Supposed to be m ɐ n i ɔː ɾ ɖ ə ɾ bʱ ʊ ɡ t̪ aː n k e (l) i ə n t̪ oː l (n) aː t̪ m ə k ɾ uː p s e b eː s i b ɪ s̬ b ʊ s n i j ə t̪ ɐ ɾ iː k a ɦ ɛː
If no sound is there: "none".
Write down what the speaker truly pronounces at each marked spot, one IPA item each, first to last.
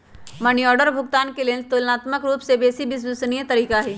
l, n

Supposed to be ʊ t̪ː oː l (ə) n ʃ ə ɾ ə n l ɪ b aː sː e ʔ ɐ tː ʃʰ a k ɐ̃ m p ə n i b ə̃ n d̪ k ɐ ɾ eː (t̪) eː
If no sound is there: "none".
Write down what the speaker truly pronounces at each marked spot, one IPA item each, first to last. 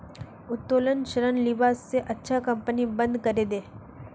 ə, d̪

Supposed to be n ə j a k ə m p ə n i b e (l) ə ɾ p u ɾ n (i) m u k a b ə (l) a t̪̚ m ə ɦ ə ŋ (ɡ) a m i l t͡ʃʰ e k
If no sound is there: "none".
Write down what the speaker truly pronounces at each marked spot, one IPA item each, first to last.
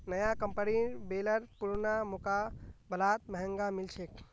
l, a, l, ɡ

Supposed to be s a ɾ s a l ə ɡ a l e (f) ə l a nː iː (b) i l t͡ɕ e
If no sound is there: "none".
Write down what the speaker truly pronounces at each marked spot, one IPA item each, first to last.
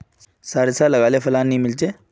f, m

